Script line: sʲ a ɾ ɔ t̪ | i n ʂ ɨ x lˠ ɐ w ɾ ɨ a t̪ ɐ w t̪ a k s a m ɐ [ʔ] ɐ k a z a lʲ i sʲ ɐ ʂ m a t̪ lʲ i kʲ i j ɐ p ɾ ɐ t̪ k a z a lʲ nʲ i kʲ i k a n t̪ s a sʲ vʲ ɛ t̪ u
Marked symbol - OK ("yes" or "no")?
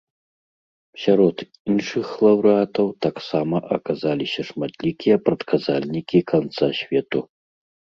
yes